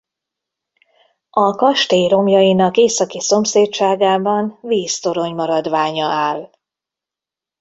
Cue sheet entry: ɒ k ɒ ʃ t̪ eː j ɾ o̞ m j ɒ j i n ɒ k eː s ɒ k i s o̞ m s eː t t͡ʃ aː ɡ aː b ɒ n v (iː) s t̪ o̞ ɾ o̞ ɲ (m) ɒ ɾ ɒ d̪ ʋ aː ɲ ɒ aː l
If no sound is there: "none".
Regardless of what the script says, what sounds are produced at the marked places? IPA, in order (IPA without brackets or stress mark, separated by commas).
iː, m